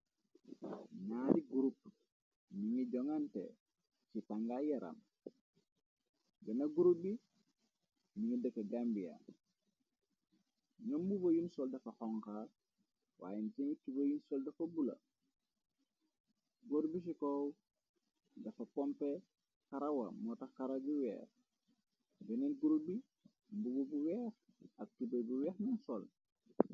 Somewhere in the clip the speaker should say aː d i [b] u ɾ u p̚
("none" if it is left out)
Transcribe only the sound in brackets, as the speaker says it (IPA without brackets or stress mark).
ɡ